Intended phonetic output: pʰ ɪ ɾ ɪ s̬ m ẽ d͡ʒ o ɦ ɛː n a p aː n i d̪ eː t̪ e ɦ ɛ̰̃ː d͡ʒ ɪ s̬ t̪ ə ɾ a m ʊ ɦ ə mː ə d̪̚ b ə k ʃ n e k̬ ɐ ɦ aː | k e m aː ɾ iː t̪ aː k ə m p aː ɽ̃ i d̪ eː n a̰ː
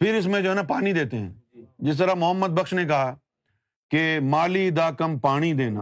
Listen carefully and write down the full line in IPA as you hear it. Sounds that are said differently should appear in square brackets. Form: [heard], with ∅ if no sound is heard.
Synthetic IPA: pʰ ɪ ɾ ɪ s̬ m ẽ d͡ʒ o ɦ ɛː n a p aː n i d̪ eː t̪ e ɦ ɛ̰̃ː d͡ʒ ɪ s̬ t̪ ə ɾ a m ʊ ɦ ə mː ə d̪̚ b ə k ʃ n e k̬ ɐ ɦ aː | k e m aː [l] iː [d̪] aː k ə m p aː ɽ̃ i d̪ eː n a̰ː